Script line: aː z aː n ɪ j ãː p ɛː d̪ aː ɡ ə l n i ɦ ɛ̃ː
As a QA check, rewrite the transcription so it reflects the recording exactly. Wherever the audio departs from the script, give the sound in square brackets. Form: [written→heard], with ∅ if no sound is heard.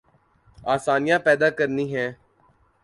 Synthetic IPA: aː [z→s] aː n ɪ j ãː p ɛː d̪ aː [ɡ→k] ə [l→ɾ] n [i→iː] ɦ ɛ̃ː